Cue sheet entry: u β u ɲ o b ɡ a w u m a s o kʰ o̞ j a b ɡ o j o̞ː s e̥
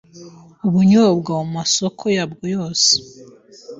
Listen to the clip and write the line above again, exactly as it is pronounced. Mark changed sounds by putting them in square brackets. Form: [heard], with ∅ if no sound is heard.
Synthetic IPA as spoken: u β u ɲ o b ɡ a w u m a s o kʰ o̞ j a b ɡ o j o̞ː s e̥